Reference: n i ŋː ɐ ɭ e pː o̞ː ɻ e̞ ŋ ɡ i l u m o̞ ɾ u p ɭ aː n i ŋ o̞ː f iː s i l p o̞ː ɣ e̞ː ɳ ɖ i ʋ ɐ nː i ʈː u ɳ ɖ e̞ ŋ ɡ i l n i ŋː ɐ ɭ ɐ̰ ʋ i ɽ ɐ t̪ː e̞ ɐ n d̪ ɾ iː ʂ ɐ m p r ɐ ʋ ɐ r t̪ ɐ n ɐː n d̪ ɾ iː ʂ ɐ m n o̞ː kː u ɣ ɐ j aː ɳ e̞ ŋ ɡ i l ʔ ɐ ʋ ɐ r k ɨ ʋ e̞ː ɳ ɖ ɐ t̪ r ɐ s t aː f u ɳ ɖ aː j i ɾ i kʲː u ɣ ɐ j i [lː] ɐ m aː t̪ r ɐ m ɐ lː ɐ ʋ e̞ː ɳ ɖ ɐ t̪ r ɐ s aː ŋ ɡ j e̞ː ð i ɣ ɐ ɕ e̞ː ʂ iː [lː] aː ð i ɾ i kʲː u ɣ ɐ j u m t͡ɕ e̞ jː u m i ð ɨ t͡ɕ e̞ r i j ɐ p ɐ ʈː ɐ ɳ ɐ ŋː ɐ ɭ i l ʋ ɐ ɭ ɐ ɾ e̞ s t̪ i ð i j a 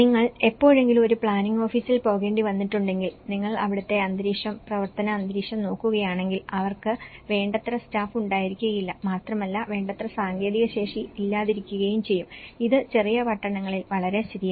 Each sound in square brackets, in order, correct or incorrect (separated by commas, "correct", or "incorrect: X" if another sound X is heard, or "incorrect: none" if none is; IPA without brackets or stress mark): correct, correct